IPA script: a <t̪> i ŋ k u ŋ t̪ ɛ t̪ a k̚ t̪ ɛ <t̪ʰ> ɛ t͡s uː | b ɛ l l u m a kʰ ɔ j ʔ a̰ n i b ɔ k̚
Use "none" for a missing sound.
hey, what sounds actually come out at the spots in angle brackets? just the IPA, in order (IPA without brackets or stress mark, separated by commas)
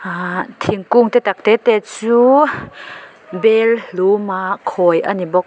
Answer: t̪ʰ, t̪